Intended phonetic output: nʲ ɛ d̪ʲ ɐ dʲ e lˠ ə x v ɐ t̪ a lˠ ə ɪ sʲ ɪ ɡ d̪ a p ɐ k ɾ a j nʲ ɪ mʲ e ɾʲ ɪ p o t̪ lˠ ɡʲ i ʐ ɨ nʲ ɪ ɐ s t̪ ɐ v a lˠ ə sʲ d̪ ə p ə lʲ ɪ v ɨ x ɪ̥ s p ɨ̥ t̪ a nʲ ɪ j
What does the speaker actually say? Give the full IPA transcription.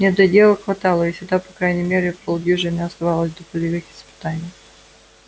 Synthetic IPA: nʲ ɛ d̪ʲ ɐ dʲ e lˠ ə x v ɐ t̪ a lˠ ə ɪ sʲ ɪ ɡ d̪ a p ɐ k ɾ a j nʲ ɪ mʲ e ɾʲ ɪ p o lˠ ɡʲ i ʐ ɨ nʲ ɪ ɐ s t̪ ɐ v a lˠ ə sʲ d̪ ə p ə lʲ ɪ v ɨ x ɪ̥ s p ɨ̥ t̪ a nʲ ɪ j